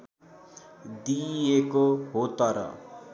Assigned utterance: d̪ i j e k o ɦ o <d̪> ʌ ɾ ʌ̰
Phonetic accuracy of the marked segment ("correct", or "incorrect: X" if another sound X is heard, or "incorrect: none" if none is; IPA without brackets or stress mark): incorrect: t̪